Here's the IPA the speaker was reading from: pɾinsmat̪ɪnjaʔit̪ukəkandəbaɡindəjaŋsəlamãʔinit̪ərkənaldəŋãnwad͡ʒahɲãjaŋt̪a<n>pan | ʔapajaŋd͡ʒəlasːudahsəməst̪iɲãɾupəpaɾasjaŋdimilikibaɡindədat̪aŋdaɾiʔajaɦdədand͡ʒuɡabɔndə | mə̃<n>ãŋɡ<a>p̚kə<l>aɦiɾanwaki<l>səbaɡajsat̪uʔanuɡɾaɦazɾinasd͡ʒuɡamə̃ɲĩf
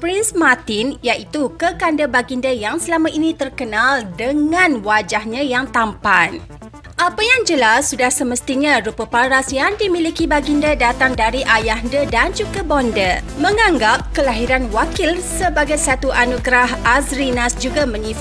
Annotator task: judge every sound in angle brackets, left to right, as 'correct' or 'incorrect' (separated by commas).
incorrect, incorrect, correct, correct, correct